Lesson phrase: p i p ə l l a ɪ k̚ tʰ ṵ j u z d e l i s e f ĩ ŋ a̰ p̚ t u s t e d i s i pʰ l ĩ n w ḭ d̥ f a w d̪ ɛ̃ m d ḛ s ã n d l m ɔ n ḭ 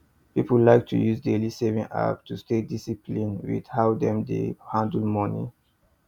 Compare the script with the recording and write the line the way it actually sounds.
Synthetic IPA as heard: p i p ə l l a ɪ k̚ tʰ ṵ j u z d e l i s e v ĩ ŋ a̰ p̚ t u s t e d i s i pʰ l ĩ n w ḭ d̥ h a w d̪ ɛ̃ m d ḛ h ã n d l m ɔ n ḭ